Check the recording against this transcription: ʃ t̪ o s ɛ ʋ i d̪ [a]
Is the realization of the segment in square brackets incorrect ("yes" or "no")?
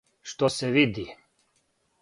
yes